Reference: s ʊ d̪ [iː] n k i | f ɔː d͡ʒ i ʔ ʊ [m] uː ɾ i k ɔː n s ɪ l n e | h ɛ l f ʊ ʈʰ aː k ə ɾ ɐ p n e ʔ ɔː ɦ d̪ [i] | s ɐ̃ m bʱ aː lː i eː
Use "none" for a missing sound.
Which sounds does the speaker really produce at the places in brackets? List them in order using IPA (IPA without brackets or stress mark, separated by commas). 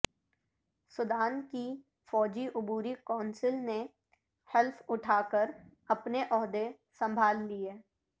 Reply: aː, b, e